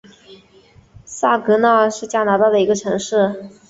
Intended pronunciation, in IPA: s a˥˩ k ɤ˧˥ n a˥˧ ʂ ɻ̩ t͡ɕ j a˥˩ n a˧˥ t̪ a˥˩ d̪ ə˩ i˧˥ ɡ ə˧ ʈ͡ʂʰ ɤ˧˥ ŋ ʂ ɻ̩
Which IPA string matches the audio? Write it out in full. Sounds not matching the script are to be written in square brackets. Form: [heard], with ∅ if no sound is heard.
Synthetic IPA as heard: s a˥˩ k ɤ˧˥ n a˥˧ ʂ ɻ̩ t͡ɕ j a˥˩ n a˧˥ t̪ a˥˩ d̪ ə˩ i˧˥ ɡ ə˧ ʈ͡ʂʰ ɤ˧˥ ŋ ʂ ɻ̩